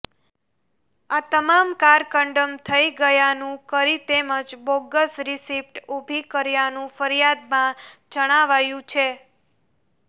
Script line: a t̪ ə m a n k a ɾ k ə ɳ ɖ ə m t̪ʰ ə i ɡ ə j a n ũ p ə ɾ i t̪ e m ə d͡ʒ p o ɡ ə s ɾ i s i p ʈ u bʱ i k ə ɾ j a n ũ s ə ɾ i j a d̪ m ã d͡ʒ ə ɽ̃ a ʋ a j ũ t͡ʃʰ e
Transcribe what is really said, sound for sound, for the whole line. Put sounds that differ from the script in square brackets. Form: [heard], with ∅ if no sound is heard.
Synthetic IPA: a t̪ ə m a [m] k a ɾ k ə ɳ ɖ ə m t̪ʰ ə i ɡ ə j a n ũ [k] ə ɾ i t̪ e m ə d͡ʒ [b] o ɡ ə s ɾ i s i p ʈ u bʱ i k ə ɾ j a n ũ [f] ə ɾ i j a d̪ m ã d͡ʒ ə ɽ̃ a ʋ a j ũ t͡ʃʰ e